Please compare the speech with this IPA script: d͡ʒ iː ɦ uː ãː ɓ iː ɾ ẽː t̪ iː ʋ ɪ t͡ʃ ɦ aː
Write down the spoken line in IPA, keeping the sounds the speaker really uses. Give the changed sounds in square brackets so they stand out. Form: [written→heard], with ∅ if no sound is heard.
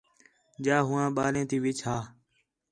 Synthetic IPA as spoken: d͡ʒ [iː→aː] ɦ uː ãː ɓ [iː→aː] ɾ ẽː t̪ iː ʋ ɪ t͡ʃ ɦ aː